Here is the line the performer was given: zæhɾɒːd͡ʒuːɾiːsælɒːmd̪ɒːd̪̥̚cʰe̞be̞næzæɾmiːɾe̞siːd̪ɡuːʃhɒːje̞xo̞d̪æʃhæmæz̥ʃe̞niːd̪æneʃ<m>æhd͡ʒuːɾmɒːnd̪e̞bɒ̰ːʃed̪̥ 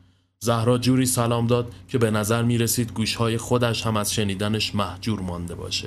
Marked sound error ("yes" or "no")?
no